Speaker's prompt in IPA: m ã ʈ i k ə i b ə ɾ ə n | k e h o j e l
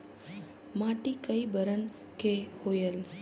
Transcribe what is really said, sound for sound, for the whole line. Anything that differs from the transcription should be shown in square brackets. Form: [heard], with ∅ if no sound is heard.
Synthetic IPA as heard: m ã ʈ i k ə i b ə ɾ ə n | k e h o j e l